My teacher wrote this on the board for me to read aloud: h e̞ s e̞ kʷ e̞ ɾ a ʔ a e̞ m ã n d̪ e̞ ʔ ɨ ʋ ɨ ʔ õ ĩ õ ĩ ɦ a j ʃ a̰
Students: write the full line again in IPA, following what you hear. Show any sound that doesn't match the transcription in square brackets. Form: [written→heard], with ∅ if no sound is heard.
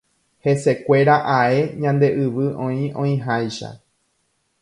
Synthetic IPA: h e̞ s e̞ kʷ e̞ ɾ a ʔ a e̞ [m→ɲ] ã n d̪ e̞ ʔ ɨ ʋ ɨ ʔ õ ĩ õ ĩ ɦ a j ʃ a̰